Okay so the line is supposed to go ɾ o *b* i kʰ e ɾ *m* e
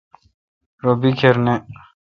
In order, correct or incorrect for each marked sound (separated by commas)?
correct, incorrect